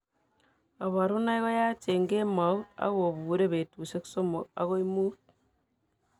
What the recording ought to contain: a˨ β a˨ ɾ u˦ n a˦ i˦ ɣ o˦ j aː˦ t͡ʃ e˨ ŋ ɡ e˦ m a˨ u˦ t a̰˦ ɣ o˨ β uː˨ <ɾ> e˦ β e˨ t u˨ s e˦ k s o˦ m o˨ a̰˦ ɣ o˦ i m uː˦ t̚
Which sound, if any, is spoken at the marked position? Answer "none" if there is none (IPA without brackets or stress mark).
ɾ